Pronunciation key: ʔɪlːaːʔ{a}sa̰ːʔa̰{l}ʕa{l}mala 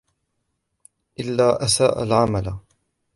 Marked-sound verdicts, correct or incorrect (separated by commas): correct, correct, incorrect